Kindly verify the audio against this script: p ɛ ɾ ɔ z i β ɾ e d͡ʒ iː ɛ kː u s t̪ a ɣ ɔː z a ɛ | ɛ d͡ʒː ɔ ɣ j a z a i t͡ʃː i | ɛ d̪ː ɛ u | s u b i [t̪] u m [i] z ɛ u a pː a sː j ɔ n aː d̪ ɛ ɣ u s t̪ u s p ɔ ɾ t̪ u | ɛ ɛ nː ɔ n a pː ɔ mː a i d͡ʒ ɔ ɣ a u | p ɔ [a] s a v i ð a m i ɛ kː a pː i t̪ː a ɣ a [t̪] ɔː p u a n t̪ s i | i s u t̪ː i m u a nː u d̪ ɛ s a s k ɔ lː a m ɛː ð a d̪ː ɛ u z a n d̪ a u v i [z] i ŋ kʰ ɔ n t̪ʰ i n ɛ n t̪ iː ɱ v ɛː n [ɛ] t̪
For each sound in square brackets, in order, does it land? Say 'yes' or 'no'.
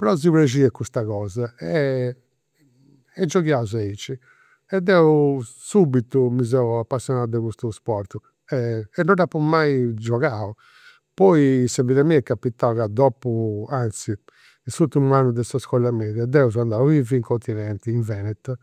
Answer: yes, yes, no, no, no, yes

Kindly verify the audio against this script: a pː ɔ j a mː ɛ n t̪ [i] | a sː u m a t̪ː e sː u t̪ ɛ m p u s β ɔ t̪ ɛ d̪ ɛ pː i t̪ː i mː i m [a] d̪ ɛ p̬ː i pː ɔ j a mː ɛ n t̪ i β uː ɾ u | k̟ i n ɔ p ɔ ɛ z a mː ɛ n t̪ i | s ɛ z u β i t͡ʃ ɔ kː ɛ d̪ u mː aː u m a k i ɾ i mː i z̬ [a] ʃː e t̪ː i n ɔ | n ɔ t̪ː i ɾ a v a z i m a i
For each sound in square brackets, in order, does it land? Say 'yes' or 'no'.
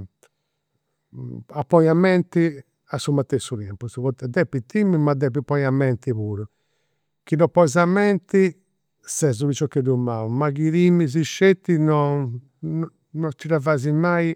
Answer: yes, yes, no

